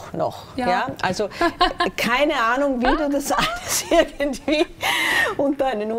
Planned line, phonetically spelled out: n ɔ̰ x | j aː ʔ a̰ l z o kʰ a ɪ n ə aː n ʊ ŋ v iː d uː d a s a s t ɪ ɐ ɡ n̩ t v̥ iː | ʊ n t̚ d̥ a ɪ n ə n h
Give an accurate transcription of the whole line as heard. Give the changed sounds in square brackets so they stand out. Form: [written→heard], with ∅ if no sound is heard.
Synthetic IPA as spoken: n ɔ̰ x | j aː ʔ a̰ l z o kʰ a ɪ n ə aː n ʊ ŋ v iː d uː d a s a s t ɪ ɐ ɡ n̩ t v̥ iː | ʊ n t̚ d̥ a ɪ n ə n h